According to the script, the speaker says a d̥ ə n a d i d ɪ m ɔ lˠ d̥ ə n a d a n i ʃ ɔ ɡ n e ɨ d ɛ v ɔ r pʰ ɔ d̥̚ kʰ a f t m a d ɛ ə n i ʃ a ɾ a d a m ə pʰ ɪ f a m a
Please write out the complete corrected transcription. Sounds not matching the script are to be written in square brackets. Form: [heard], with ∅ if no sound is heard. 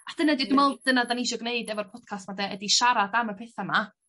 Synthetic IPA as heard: a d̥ ə n a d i d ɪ m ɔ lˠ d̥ ə n a d a n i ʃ ɔ ɡ n e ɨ d ɛ v ɔ r pʰ ɔ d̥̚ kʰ a [s] t m a d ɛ ə [d] i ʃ a ɾ a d a m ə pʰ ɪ [θ] a m a

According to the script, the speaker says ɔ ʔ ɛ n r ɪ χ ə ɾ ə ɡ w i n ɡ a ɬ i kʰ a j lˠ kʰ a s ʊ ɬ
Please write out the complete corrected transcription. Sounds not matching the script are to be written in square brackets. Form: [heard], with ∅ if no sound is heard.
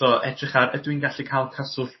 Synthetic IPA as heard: ɔ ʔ ɛ [d] r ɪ χ [a] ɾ ə [d] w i n ɡ a ɬ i kʰ a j lˠ kʰ a s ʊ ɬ

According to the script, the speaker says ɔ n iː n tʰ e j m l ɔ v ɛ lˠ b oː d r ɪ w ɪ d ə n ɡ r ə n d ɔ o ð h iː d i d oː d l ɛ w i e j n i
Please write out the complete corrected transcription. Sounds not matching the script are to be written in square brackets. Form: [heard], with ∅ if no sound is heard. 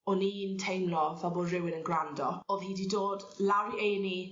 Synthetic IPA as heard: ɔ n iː n tʰ e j m l ɔ v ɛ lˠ b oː d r ɪ w ɪ [n] ə n ɡ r [a] n d ɔ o ð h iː d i d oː d l [a] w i e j n i

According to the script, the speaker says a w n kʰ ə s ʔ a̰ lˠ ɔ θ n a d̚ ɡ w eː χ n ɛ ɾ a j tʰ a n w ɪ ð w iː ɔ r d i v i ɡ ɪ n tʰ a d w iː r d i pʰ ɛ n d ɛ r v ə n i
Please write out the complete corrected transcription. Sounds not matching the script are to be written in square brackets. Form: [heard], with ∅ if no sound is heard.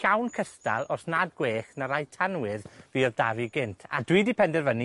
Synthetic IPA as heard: a w n kʰ ə s [t] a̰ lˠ ɔ [s] n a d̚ ɡ w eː χ n [a] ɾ a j tʰ a n w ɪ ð [v] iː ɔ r d [a] v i ɡ ɪ n tʰ a d w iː [∅] d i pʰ ɛ n d ɛ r v ə n i

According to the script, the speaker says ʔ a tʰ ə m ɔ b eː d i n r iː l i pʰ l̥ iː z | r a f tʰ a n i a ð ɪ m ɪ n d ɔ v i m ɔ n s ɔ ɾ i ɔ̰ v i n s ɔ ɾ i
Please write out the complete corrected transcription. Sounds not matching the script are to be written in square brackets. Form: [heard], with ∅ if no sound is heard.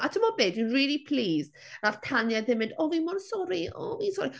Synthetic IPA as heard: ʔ a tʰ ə m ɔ b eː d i n r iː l i pʰ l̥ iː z | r a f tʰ a n [j] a ð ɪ m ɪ n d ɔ v i m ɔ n s ɔ ɾ i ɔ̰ v i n s ɔ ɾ i

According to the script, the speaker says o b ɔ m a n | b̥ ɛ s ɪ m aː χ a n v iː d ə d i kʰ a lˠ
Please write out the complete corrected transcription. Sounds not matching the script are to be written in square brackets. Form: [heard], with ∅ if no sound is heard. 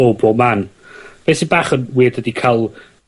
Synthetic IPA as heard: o b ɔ m a n | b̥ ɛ s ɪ [b] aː χ [ə] n [w] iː d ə d i kʰ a lˠ

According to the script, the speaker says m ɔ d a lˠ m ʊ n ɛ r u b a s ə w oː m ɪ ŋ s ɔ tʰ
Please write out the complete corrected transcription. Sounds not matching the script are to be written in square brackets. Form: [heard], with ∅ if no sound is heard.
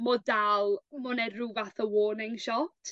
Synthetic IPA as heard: m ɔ d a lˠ m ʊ n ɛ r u [v] a [θ] ə w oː [n] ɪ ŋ [ʃ] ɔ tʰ

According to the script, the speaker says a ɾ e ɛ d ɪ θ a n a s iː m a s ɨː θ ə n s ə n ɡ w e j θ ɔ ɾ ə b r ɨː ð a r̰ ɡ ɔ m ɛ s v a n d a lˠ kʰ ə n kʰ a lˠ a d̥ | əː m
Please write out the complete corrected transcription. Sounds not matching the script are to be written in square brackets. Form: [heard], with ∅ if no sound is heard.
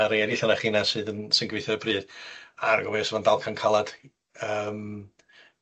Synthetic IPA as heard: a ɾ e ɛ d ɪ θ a n a [χ] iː [n] a s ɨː [ð] ə n s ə n ɡ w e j θ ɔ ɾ ə b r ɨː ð a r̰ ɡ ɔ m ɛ s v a n d a lˠ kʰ [a] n kʰ a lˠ a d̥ | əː m

